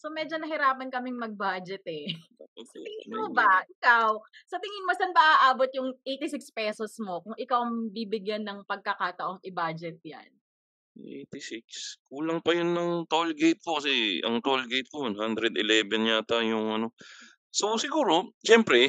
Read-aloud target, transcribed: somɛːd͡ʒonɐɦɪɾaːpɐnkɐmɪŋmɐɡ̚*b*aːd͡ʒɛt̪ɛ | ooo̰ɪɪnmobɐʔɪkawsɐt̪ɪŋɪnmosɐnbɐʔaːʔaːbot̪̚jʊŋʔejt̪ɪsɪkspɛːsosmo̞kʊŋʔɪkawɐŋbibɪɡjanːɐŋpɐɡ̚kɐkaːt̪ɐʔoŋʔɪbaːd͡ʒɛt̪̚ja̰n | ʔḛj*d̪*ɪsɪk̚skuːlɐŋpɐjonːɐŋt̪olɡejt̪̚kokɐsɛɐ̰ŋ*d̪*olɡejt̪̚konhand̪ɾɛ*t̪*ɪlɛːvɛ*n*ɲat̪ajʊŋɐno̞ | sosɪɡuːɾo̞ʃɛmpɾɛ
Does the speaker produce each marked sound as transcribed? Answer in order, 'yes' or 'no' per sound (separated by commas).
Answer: yes, no, no, no, yes